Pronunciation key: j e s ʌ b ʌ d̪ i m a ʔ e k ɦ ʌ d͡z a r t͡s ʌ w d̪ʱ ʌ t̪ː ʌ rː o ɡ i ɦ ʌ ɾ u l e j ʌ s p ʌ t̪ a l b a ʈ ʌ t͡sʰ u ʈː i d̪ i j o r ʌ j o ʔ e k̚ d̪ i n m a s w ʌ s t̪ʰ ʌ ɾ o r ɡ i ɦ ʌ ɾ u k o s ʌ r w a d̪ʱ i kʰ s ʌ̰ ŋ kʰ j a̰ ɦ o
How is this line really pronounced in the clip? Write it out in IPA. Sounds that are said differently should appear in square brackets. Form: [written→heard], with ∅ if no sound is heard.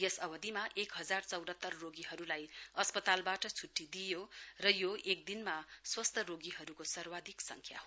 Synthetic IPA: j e s ʌ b ʌ d̪ i m a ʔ e k ɦ ʌ d͡z a r t͡s ʌ w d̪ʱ ʌ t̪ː ʌ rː o ɡ i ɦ ʌ ɾ u l [e→a] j ʌ s p ʌ t̪ a l b a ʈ ʌ t͡sʰ u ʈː i d̪ i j o r ʌ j o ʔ e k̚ d̪ i n m a s w ʌ s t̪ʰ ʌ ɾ o [r→∅] ɡ i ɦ ʌ ɾ u k o s ʌ r w a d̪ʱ i [kʰ→k] s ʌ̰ ŋ kʰ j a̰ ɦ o